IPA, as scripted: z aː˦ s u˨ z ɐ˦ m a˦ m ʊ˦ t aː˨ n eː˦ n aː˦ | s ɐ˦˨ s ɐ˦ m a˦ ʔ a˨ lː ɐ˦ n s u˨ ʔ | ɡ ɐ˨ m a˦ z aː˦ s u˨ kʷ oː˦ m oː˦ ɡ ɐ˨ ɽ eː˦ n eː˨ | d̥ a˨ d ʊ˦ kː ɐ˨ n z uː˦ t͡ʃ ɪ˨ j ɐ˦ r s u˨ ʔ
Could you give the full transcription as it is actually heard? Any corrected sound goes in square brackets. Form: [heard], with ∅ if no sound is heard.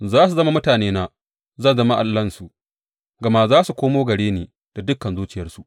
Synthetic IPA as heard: z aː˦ s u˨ z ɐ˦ m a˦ m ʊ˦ t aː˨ n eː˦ n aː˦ | [z] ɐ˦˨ [z] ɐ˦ m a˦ ʔ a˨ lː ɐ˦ n s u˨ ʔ | ɡ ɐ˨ m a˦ z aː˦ s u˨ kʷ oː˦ m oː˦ ɡ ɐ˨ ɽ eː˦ n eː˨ | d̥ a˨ d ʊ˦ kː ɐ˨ n z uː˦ t͡ʃ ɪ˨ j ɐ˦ r s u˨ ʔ